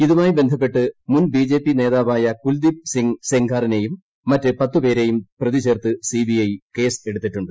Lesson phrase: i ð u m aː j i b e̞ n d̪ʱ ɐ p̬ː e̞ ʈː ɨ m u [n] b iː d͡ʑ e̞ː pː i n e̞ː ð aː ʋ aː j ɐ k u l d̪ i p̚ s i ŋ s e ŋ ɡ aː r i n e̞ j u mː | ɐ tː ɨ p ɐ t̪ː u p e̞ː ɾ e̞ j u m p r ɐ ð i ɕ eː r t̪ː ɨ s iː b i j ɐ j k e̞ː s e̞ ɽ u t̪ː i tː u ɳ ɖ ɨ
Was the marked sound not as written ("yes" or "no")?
no